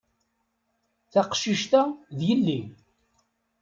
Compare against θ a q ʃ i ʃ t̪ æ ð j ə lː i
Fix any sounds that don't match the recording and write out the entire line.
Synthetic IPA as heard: θ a q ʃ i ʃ t̪ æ ð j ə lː i